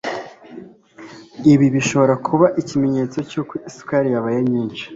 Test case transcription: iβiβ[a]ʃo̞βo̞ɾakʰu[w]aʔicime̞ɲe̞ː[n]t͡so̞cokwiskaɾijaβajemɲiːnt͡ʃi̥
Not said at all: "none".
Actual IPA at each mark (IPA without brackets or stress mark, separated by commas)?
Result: i, β, none